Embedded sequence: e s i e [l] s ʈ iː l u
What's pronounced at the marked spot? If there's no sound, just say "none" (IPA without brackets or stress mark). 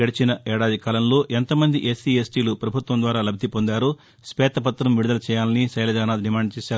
none